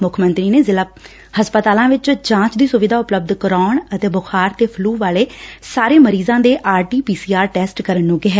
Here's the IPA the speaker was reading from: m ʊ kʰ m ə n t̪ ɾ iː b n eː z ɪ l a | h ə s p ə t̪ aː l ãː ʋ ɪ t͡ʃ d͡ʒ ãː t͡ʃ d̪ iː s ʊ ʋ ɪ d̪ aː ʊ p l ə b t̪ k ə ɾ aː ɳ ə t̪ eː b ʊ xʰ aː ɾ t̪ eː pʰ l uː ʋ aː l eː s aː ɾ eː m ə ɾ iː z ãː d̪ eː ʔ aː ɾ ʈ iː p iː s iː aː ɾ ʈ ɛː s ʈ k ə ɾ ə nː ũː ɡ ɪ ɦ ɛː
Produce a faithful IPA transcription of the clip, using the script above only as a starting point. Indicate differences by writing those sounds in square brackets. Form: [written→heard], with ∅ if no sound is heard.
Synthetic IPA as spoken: m ʊ kʰ m ə n t̪ ɾ iː [b→∅] n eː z ɪ l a | h ə s p ə t̪ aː l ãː ʋ ɪ t͡ʃ d͡ʒ ãː t͡ʃ d̪ iː s ʊ ʋ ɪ d̪ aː ʊ p l ə b [t̪→d̪] k ə ɾ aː ɳ ə t̪ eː b ʊ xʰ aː ɾ t̪ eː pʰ l uː ʋ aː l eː s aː ɾ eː m ə ɾ iː z ãː d̪ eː ʔ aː ɾ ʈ iː p iː s iː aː ɾ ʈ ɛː s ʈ k ə ɾ ə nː ũː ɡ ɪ ɦ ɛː

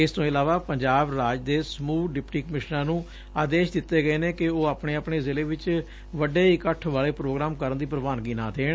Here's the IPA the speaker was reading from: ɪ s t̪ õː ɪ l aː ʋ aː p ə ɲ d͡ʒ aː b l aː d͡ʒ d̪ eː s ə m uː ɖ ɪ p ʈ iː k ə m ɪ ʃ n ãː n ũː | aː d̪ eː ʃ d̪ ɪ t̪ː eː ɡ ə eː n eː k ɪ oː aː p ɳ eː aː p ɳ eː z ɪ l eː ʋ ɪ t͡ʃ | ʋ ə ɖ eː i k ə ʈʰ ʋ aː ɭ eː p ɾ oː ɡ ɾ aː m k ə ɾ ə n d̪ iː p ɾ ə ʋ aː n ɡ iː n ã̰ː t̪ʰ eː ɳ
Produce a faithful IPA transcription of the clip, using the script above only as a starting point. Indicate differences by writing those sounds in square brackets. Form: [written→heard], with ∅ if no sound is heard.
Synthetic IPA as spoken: ɪ s t̪ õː ɪ l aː ʋ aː p ə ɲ d͡ʒ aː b [l→ɾ] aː d͡ʒ d̪ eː s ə m uː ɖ ɪ p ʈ iː k ə m ɪ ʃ n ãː n ũː | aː d̪ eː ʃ d̪ ɪ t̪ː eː ɡ ə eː n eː k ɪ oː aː p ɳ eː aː p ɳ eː z ɪ l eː ʋ ɪ t͡ʃ | ʋ ə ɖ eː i k ə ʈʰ ʋ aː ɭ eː p ɾ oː ɡ ɾ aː m k ə ɾ ə n d̪ iː p ɾ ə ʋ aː n ɡ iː n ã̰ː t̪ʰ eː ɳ

